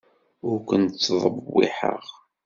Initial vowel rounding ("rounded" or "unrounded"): rounded